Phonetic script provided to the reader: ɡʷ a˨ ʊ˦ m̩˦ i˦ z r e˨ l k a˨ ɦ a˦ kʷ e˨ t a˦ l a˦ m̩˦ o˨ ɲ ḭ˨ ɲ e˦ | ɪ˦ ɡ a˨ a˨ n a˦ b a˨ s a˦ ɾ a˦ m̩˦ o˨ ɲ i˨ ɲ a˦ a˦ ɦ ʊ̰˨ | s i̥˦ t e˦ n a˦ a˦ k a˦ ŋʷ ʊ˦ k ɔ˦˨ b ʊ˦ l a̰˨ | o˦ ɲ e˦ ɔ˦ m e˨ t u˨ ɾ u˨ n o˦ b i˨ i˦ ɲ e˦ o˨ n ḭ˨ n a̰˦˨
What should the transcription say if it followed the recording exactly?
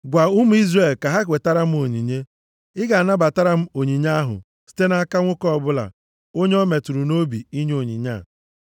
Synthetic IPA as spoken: ɡʷ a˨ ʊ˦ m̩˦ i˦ z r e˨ l k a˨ ɦ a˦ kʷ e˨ t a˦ ɾ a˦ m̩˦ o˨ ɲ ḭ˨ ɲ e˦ | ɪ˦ ɡ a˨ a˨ n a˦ b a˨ t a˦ ɾ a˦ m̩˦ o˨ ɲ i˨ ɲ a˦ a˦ ɦ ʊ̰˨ | s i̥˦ t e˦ n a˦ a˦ k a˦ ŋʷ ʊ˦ k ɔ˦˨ b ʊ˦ l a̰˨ | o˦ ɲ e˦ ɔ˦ m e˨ t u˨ ɾ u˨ n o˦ b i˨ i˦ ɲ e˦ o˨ ɲ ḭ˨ ɲ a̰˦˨

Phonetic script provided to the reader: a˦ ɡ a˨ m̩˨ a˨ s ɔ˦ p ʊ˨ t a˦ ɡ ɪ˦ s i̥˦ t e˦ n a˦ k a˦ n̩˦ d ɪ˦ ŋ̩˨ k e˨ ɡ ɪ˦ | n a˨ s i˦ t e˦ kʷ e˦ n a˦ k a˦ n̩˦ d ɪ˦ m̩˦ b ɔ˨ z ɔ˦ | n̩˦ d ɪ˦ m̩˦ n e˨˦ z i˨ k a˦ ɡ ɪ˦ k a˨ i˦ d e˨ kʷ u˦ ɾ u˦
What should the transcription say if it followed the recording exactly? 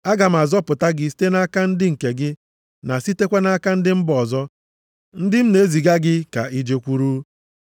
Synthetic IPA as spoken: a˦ ɡ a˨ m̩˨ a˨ z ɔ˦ p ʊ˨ t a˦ ɡ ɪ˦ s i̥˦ t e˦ n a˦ k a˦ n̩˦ d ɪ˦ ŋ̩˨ k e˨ ɡ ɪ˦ | n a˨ s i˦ t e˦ kʷ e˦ n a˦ k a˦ n̩˦ d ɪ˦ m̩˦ b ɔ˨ z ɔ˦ | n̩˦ d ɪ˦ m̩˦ n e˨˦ z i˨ ɡ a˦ ɡ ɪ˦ k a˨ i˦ d͡ʒ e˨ kʷ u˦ ɾ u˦

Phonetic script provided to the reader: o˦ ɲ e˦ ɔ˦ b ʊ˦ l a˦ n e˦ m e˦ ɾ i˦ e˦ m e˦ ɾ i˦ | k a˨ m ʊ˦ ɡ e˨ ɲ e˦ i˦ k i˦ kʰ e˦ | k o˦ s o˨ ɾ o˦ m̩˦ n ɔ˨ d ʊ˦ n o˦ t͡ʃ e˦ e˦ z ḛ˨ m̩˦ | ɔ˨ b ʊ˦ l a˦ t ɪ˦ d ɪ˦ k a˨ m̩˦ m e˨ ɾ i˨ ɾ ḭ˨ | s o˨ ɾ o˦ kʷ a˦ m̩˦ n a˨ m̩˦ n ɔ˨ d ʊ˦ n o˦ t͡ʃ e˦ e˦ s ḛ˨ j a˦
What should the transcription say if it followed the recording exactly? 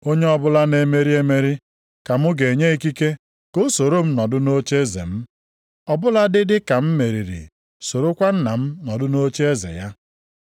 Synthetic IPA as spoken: o˦ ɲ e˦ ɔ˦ b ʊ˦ l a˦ n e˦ m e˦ ɾ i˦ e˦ m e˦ ɾ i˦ | k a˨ m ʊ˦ ɡ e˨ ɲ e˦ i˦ k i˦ k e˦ | k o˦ s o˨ ɾ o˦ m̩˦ n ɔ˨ d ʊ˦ n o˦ t͡ʃ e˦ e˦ z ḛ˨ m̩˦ | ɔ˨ b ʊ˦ l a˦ d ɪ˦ d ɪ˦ k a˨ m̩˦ m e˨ ɾ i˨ ɾ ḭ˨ | s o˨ ɾ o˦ kʷ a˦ n̩˦ n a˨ m̩˦ n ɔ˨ d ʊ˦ n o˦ t͡ʃ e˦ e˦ z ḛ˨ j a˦

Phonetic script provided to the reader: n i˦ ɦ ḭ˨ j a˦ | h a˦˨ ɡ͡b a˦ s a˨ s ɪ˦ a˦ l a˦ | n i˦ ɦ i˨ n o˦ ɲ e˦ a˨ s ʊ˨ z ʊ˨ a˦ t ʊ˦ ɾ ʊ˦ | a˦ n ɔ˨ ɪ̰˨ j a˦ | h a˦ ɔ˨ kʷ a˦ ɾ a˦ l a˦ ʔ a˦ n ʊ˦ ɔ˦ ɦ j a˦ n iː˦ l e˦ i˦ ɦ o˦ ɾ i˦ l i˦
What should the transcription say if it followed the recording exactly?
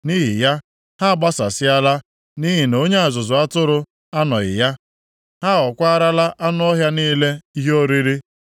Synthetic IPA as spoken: n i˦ ɦ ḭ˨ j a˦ | h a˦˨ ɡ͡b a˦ s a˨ s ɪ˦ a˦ l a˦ | n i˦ ɦ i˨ n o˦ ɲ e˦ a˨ z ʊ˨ z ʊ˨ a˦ t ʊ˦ ɾ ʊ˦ | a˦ n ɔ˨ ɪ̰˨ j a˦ | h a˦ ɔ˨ kʷ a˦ ɾ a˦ l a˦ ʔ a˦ n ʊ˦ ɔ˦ ɦ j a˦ n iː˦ l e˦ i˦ ɦ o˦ ɾ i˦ ɾ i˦

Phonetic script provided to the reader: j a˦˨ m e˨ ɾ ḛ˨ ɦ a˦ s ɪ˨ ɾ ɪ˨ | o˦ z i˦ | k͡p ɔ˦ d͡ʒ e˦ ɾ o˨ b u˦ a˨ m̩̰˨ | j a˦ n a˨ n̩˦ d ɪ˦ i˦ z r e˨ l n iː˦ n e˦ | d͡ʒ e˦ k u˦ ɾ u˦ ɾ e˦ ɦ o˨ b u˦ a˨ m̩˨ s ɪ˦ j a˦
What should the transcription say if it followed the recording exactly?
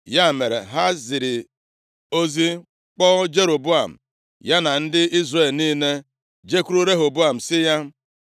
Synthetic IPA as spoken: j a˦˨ m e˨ ɾ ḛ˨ ɦ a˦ z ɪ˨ ɾ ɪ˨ | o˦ z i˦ | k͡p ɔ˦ d͡ʒ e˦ ɾ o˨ b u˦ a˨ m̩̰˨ | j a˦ n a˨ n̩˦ d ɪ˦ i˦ z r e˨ l n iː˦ n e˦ | d͡ʒ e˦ k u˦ ɾ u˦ ɾ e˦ ɦ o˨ b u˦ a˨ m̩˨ s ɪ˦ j a˦

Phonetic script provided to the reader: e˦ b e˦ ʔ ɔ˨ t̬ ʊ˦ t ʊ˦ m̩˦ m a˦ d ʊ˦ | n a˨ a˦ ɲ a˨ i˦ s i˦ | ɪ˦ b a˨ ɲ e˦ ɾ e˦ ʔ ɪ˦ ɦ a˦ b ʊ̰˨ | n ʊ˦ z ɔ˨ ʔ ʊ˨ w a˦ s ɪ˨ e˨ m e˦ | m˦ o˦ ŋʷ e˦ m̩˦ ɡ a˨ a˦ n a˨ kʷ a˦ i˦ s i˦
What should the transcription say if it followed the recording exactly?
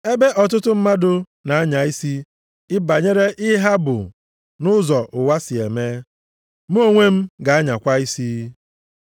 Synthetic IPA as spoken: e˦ b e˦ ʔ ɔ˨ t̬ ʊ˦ t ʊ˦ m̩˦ m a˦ d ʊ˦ | n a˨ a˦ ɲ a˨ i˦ s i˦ | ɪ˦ b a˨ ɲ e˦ ɾ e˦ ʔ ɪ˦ ɦ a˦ b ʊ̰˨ | n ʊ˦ z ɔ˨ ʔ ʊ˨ w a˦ s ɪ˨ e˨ m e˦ | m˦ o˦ ŋʷ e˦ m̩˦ ɡ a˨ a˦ ɲ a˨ kʷ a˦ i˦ s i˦

